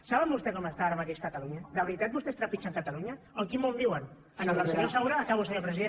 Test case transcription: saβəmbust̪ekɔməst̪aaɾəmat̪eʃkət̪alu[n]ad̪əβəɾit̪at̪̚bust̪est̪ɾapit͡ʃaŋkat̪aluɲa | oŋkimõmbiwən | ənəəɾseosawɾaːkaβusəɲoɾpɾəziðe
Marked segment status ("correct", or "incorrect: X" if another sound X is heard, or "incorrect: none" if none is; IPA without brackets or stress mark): incorrect: ɲ